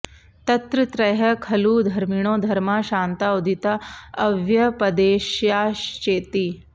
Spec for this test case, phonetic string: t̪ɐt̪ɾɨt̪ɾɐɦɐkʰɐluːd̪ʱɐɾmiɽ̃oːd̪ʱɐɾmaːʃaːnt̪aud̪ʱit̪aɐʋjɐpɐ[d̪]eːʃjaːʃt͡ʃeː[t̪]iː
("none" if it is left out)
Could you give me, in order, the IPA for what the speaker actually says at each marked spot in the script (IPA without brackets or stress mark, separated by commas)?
d̪, t̪